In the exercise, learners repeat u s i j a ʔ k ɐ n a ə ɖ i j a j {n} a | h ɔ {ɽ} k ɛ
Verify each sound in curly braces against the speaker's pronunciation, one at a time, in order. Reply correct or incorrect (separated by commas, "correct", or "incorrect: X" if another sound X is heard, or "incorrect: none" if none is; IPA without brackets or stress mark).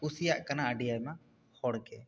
incorrect: m, correct